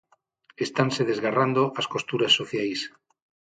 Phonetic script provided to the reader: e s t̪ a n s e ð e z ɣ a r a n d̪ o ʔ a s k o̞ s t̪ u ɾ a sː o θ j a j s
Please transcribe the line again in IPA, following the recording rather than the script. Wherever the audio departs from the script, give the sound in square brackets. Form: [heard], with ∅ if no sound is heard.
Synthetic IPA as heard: e s t̪ a n s e ð e z ɣ a r a n d̪ o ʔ a s k o̞ s t̪ u ɾ a sː o θ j a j s